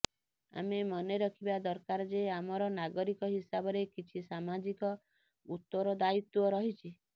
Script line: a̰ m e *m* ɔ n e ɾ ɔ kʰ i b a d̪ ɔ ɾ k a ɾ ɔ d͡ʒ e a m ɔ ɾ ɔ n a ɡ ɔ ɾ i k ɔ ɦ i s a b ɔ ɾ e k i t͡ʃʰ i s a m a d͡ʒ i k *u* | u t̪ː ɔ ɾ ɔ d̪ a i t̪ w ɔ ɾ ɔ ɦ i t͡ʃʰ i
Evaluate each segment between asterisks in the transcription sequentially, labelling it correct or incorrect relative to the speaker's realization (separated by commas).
correct, incorrect